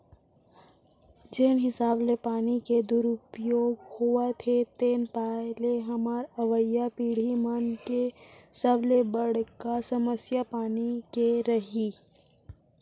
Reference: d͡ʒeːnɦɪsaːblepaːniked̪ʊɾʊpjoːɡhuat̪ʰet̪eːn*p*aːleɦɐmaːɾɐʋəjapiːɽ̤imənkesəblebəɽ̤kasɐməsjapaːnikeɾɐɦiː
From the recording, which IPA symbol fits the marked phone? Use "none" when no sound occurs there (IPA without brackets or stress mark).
p